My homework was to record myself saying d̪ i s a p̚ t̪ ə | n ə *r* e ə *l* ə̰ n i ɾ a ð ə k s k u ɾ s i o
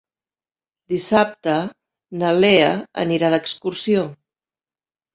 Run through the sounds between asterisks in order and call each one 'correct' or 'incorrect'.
incorrect, incorrect

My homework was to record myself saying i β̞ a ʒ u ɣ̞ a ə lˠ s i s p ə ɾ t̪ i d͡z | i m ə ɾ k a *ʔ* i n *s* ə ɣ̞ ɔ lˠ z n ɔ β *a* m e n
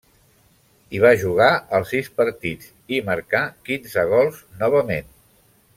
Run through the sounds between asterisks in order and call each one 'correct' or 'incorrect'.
incorrect, incorrect, incorrect

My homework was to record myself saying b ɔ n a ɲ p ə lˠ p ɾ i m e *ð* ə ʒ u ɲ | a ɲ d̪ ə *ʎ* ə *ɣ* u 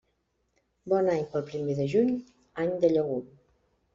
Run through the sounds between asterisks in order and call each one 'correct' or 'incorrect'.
correct, correct, correct

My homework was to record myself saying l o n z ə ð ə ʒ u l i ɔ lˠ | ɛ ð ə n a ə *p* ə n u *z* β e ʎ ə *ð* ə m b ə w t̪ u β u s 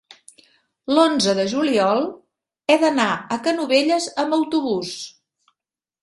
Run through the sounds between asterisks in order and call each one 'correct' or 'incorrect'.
incorrect, incorrect, incorrect

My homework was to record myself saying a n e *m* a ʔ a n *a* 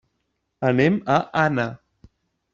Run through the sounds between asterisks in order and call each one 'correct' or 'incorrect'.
correct, correct

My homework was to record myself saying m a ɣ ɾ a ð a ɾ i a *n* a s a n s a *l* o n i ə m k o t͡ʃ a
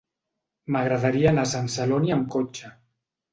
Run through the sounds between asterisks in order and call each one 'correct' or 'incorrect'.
correct, correct

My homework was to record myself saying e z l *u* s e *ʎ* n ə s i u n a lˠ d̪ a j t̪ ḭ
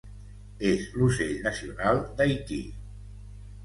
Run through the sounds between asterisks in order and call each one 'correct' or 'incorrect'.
correct, correct

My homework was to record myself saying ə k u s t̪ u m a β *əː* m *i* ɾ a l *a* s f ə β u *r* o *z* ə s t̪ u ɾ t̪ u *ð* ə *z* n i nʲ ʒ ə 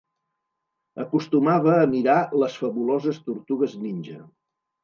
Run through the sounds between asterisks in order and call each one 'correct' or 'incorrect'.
correct, correct, incorrect, incorrect, correct, incorrect, correct

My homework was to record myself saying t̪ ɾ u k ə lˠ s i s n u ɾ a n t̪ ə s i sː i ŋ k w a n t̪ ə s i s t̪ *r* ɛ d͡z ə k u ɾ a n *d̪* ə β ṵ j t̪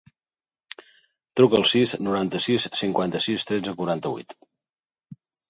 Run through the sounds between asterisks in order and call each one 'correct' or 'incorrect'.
incorrect, incorrect

